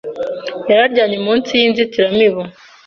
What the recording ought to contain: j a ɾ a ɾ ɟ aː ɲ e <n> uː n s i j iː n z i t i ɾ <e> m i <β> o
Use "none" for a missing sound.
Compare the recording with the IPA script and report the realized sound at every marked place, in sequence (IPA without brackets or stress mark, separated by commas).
m, a, β